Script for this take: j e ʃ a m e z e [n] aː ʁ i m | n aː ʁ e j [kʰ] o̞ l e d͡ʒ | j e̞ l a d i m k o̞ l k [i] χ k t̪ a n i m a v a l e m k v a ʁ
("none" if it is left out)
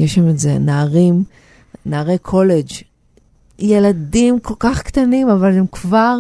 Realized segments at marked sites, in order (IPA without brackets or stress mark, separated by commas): n, kʰ, a